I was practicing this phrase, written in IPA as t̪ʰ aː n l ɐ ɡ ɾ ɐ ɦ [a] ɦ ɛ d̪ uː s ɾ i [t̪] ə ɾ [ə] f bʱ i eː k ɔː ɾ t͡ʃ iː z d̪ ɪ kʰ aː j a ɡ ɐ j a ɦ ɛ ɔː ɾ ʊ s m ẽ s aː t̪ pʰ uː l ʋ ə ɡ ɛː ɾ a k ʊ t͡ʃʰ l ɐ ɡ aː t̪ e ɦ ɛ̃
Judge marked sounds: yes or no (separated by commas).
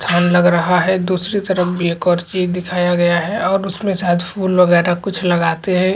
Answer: yes, yes, yes